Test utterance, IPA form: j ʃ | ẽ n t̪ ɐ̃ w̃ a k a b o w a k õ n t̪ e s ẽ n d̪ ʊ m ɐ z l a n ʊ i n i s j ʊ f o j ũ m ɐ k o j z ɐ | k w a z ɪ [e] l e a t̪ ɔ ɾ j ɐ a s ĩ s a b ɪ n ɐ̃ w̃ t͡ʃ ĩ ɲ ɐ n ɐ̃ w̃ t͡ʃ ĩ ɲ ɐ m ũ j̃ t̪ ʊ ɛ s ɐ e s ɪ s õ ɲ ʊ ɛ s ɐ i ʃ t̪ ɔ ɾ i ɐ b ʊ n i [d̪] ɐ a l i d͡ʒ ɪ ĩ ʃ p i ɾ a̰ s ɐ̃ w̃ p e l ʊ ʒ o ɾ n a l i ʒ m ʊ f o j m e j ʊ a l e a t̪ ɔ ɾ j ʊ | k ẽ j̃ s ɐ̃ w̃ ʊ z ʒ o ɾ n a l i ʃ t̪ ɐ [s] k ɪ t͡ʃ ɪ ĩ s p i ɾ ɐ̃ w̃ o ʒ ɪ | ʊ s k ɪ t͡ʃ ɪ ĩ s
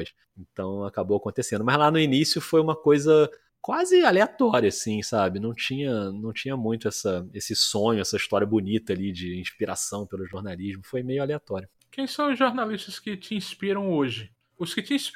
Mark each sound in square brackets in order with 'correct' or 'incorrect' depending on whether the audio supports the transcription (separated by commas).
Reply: incorrect, incorrect, correct